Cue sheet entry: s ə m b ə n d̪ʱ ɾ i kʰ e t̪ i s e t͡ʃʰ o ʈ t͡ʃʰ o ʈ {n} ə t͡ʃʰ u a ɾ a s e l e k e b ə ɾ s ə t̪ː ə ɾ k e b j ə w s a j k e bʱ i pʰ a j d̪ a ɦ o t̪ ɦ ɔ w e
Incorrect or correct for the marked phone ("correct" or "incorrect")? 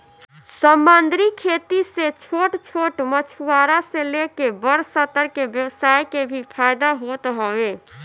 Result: incorrect